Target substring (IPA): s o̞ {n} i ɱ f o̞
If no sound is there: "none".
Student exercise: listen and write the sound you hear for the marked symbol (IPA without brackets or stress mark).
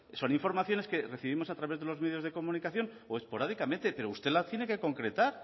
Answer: n